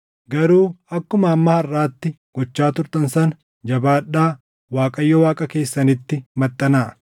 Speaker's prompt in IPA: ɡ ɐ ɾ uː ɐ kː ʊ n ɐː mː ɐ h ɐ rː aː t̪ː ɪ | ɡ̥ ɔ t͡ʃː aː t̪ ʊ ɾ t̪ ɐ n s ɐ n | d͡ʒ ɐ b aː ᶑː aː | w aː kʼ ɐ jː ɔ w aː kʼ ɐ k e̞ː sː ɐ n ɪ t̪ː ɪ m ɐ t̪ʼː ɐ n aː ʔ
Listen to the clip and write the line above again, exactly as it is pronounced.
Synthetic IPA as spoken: ɡ ɐ ɾ uː ɐ kː ʊ m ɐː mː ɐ h ɐ rː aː t̪ː ɪ | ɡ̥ ɔ t͡ʃː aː t̪ ʊ ɾ t̪ ɐ n s ɐ n | d͡ʒ ɐ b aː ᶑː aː | w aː kʼ ɐ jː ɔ w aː kʼ ɐ k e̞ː sː ɐ n ɪ t̪ː ɪ m ɐ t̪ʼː ɐ n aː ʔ